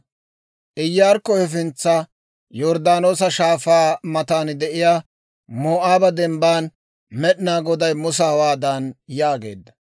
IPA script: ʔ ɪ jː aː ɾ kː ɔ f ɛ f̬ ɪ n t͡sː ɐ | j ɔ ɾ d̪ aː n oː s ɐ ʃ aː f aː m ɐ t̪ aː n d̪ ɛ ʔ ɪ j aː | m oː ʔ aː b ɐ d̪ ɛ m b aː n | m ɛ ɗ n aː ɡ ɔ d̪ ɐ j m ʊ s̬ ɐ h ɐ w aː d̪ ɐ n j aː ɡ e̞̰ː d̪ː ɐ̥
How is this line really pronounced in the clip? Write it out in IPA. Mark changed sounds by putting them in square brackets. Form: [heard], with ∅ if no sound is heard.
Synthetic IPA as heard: ʔ ɪ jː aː ɾ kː ɔ [h] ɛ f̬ ɪ n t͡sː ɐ | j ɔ ɾ d̪ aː n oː s ɐ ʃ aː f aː m ɐ t̪ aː n d̪ ɛ ʔ ɪ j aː | m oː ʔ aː b ɐ d̪ ɛ m b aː n | m ɛ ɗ n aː ɡ ɔ d̪ ɐ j m ʊ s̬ ɐ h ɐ w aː d̪ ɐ n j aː ɡ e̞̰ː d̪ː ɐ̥